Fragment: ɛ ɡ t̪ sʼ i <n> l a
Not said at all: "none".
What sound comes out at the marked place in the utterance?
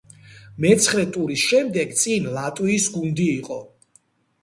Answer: n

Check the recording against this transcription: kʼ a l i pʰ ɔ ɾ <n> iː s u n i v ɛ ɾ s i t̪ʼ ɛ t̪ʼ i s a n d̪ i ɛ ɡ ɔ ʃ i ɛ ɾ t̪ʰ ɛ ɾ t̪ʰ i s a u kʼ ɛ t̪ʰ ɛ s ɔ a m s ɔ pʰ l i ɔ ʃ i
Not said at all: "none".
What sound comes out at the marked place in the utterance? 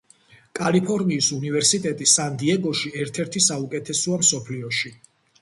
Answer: m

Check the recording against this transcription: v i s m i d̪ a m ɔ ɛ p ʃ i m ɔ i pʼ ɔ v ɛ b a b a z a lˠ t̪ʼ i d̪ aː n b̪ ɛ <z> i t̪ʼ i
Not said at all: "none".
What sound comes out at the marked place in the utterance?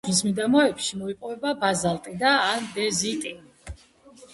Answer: z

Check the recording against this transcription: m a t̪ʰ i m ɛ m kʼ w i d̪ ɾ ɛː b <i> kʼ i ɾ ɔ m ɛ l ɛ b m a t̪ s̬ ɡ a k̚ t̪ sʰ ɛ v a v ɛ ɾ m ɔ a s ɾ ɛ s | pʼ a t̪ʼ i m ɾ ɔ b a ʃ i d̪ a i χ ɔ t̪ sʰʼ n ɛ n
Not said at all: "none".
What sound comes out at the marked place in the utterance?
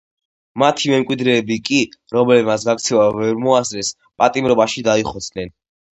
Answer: i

